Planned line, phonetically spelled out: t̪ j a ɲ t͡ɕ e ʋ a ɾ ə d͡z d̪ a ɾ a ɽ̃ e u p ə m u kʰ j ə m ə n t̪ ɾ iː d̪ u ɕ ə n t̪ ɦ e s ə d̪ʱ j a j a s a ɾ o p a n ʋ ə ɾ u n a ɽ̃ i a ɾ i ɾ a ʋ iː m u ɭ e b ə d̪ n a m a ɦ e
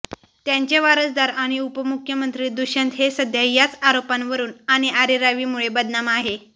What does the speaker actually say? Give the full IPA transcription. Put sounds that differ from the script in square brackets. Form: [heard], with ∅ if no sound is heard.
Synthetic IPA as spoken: t̪ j a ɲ t͡ɕ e ʋ a ɾ ə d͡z d̪ a ɾ a ɽ̃ [i] u p ə m u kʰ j ə m ə n t̪ ɾ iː d̪ u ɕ ə n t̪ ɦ e s ə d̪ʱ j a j a [t͡s] a ɾ o p a n ʋ ə ɾ [uː] n a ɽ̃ i a ɾ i ɾ a ʋ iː m u ɭ e b ə d̪ n a m a ɦ e